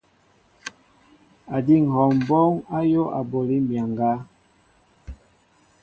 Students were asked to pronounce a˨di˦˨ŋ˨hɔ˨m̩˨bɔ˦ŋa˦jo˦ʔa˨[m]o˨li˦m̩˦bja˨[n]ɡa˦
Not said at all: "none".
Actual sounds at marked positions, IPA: b, ŋ

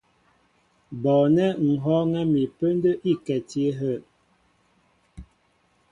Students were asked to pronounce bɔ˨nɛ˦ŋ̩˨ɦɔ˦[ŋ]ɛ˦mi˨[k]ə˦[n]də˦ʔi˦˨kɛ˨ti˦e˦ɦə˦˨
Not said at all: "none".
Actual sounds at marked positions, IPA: ŋ, p, n

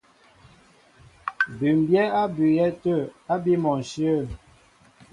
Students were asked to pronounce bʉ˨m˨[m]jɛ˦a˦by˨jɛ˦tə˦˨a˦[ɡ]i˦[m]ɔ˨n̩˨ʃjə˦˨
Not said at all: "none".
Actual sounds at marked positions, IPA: b, b, m

